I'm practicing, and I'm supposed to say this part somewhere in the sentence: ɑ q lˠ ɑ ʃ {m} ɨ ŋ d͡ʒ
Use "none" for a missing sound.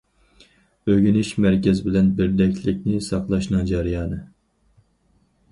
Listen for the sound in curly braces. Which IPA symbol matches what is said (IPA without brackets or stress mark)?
n